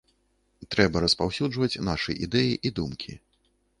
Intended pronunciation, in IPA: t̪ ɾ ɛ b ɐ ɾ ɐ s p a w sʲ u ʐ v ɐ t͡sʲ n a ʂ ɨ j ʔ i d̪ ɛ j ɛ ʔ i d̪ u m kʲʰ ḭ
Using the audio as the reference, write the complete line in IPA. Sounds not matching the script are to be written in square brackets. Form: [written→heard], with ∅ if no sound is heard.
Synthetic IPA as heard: t̪ ɾ ɛ b ɐ ɾ ɐ s p a w sʲ u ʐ v ɐ t͡sʲ n a ʂ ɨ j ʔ i d̪ ɛ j [ɛ→i] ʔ i d̪ u m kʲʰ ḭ